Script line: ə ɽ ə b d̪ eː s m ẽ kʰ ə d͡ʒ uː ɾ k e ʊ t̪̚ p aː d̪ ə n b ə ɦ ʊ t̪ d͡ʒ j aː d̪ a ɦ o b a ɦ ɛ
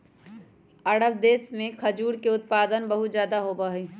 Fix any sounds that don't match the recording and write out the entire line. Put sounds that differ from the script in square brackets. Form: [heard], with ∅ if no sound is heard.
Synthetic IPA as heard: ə ɽ ə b d̪ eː s m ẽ kʰ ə d͡ʒ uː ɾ k e ʊ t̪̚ p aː d̪ ə n b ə ɦ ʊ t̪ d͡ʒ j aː d̪ a ɦ o b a ɦ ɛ